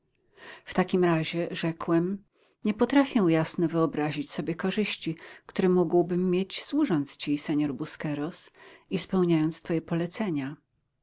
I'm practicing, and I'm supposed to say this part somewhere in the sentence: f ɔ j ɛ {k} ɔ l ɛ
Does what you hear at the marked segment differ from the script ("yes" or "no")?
yes